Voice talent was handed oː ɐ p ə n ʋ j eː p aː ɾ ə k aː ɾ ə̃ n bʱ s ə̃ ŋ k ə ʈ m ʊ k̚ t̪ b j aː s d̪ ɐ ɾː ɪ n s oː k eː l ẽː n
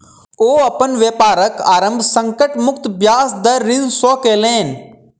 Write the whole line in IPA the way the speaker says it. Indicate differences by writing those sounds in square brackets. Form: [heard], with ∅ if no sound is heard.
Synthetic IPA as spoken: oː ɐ p ə n ʋ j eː p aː ɾ ə k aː ɾ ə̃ [m] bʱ s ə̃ ŋ k ə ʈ m ʊ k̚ t̪ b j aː s d̪ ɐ ɾː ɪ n s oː k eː l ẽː n